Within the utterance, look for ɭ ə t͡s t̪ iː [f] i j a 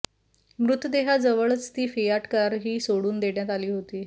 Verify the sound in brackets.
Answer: correct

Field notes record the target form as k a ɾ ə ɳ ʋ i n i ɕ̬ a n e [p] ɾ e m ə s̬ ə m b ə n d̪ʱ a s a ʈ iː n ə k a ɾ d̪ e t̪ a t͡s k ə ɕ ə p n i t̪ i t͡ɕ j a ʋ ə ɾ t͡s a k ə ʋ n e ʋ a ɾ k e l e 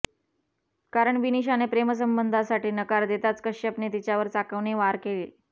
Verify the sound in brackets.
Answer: correct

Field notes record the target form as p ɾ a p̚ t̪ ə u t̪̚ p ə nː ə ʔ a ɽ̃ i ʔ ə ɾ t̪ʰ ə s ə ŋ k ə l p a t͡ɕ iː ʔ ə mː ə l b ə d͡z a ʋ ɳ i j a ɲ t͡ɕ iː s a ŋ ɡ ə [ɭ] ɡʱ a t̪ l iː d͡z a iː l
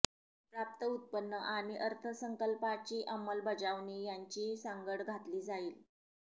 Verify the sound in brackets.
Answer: incorrect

